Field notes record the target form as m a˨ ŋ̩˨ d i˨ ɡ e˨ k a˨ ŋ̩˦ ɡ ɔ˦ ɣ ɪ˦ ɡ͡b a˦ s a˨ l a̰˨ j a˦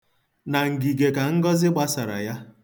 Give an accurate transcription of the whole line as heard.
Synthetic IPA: n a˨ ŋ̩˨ ɡ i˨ ɡ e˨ k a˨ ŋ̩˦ ɡ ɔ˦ z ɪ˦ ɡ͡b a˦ s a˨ ɾ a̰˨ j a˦